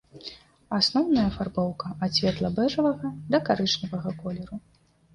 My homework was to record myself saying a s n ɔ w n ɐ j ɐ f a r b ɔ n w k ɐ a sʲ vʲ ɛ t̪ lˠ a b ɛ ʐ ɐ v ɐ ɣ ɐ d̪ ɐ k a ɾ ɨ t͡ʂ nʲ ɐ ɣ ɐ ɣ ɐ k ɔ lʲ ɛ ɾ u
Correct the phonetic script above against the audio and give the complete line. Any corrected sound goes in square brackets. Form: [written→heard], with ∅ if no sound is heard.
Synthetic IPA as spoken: a s n ɔ w n ɐ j ɐ f a r b ɔ [n→∅] w k ɐ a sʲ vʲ ɛ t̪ lˠ [a→ɐ] b ɛ ʐ ɐ v ɐ ɣ ɐ d̪ ɐ k a ɾ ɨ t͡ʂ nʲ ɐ [ɣ→v] ɐ ɣ ɐ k ɔ lʲ ɛ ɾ u